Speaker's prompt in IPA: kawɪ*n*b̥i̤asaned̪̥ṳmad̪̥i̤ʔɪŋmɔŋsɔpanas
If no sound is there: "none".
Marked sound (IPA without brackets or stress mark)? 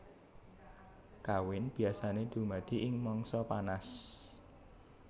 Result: n